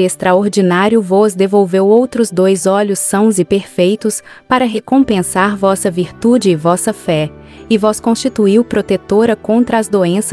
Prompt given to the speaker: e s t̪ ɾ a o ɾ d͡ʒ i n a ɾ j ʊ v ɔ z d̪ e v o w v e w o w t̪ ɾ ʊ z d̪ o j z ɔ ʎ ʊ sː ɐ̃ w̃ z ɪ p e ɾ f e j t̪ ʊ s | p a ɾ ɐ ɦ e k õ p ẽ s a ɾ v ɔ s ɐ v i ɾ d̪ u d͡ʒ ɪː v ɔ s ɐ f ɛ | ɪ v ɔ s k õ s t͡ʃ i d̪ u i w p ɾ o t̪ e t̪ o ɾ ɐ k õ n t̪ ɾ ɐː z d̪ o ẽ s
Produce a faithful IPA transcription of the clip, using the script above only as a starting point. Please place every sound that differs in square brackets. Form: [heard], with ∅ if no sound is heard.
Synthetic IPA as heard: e s t̪ ɾ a o ɾ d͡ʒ i n a ɾ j ʊ v ɔ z d̪ e v o w v e w o w t̪ ɾ ʊ z d̪ o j z ɔ ʎ ʊ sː ɐ̃ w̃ z ɪ p e ɾ f e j t̪ ʊ s | p a ɾ ɐ ɦ e k õ p ẽ s a ɾ v ɔ s ɐ v i ɾ [t̪] u d͡ʒ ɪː v ɔ s ɐ f ɛ | ɪ v ɔ s k õ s t͡ʃ i [t̪] u i w p ɾ o t̪ e t̪ o ɾ ɐ k õ n t̪ ɾ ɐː z d̪ o ẽ s